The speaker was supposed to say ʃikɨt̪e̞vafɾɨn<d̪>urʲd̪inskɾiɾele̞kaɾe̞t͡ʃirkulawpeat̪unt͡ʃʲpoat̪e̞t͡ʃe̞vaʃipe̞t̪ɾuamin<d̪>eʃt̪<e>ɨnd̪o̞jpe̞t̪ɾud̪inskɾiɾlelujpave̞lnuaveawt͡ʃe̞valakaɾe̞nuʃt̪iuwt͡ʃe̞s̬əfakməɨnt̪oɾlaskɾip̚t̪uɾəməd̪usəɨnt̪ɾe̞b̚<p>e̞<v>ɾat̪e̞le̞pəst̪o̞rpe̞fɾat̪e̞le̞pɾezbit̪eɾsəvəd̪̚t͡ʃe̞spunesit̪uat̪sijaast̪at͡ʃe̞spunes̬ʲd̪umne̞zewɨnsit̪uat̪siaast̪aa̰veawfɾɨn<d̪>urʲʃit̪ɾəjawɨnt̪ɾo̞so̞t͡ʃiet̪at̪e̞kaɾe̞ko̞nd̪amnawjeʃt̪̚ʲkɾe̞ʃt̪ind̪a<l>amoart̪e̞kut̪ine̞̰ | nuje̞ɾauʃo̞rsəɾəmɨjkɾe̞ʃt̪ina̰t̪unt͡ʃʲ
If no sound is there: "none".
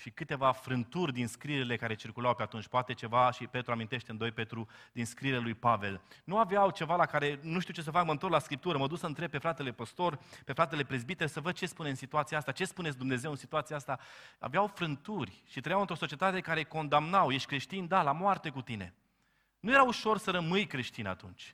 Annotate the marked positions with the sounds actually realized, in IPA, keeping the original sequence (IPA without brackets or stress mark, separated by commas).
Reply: t̪, t̪, e, p, f, t̪, l